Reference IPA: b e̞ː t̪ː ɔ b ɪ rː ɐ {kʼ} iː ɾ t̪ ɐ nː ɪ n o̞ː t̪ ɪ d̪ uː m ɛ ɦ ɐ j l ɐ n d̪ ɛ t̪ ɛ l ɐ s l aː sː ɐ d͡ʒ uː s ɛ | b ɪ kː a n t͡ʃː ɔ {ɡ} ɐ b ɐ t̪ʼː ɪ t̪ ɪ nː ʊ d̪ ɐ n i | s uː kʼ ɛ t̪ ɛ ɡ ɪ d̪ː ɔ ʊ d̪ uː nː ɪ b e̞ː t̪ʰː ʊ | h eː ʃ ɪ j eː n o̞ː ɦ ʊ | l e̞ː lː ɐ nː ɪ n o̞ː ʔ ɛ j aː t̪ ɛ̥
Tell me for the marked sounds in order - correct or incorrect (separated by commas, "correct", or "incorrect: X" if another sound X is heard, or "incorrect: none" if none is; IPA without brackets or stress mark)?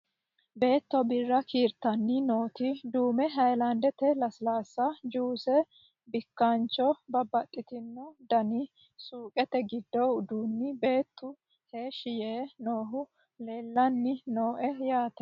incorrect: k, incorrect: b